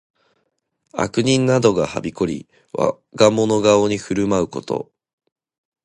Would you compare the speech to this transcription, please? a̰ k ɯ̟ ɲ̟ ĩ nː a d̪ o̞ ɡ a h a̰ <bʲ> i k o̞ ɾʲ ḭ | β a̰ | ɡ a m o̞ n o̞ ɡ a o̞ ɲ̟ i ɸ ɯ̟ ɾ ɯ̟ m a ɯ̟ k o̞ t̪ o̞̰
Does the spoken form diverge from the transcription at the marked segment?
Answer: no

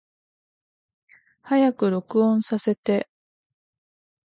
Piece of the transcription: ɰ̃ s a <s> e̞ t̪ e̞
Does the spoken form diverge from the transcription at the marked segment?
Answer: no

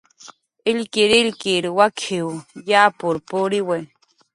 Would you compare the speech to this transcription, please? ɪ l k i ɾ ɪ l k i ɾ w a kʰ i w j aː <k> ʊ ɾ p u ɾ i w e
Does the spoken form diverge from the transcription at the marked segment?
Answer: yes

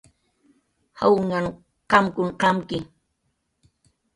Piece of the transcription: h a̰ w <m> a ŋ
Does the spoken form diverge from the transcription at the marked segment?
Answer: yes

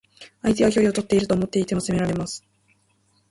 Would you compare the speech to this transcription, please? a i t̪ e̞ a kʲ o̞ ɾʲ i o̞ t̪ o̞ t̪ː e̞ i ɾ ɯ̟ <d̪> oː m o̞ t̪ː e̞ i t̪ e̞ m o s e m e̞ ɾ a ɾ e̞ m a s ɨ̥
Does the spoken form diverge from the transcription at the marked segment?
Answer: yes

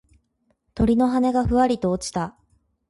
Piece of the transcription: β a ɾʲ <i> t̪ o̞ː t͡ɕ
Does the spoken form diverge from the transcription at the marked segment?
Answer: no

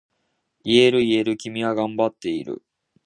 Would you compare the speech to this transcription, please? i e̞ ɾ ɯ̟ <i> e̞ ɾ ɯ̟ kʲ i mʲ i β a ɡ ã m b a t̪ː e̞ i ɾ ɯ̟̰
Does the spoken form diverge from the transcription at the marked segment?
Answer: no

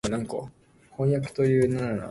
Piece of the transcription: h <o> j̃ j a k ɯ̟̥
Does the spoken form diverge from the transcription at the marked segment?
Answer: yes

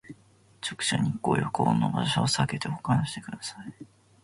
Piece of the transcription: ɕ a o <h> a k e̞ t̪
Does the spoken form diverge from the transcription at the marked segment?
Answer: yes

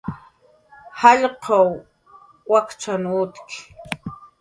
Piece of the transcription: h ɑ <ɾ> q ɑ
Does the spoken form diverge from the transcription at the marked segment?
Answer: yes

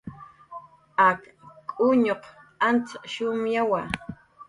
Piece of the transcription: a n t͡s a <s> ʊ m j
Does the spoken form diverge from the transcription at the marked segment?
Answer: yes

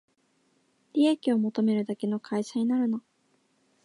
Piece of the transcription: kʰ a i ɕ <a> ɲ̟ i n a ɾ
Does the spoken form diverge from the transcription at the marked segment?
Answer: no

